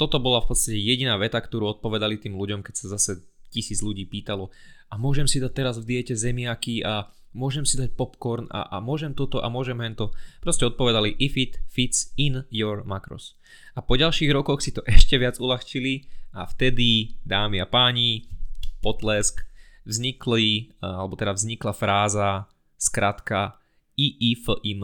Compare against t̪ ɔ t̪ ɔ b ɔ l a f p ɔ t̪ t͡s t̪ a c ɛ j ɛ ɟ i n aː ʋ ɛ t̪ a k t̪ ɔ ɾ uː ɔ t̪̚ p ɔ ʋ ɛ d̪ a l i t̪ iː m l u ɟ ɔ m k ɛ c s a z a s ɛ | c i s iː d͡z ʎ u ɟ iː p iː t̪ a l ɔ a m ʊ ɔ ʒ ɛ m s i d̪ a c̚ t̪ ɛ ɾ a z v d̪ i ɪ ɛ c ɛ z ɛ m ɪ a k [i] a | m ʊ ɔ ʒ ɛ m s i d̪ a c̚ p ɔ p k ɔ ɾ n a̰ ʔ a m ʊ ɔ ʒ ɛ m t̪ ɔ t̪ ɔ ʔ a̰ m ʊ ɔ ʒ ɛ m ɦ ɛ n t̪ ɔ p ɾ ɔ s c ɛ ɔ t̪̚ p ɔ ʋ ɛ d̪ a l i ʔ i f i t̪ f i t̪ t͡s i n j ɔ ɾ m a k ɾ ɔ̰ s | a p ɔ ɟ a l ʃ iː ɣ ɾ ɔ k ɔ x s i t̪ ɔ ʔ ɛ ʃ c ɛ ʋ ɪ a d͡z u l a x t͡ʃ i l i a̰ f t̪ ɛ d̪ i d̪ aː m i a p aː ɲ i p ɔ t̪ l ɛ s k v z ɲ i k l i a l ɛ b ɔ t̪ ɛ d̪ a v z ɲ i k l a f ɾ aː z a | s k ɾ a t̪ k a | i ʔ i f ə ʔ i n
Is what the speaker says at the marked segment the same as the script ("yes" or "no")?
yes